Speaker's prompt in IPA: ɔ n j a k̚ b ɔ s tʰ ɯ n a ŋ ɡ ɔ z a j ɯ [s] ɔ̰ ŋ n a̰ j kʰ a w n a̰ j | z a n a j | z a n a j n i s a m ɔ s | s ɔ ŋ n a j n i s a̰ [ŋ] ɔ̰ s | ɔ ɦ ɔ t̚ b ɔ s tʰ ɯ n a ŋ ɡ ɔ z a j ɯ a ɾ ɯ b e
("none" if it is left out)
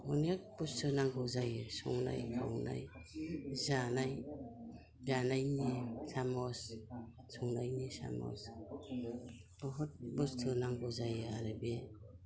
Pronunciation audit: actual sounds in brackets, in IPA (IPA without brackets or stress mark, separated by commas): s, m